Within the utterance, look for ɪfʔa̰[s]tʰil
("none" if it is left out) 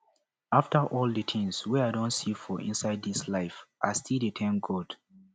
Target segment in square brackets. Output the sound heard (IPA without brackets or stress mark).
s